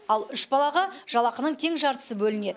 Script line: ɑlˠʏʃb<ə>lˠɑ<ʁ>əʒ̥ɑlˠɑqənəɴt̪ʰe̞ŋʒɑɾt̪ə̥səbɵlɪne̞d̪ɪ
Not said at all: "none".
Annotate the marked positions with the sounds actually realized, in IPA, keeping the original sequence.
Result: ɑ, ʁ

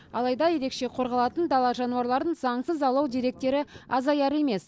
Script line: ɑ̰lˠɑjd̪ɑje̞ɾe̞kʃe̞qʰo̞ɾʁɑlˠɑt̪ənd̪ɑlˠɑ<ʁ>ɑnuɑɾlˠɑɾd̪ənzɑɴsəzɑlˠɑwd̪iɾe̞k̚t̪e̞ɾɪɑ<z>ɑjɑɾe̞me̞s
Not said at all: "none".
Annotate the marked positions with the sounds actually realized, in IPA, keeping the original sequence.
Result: ʒ, z

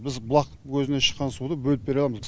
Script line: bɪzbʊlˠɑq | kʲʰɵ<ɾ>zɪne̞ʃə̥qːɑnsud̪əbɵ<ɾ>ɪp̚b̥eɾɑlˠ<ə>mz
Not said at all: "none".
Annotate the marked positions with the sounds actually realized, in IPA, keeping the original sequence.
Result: none, l, ɑ

